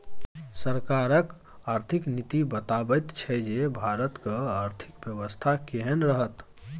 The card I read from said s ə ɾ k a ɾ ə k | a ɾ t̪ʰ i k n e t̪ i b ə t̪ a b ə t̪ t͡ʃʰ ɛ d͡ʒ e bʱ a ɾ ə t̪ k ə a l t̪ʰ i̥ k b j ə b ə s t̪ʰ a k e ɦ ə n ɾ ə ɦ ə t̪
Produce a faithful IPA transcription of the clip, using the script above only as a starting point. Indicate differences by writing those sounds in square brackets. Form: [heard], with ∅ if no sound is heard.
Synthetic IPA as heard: s ə ɾ k a ɾ ə k | a ɾ t̪ʰ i k n [i] t̪ i b ə t̪ a b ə t̪ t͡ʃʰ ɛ d͡ʒ e bʱ a ɾ ə t̪ k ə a [ɾ] t̪ʰ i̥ k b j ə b ə s t̪ʰ a k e ɦ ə n ɾ ə ɦ ə t̪